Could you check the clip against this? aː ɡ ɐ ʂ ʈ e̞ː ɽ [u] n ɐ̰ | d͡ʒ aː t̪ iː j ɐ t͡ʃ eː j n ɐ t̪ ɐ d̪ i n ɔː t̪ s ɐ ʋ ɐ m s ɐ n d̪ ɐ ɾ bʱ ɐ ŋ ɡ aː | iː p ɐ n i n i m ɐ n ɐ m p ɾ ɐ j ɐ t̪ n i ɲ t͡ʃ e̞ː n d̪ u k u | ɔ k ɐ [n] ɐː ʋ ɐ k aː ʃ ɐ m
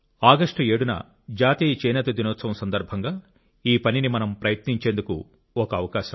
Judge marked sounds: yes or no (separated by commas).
yes, no